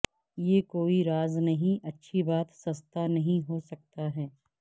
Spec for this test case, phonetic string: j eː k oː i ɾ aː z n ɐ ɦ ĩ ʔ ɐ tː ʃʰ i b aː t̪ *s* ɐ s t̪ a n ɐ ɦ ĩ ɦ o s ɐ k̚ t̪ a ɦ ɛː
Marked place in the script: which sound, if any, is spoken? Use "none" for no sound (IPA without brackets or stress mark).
s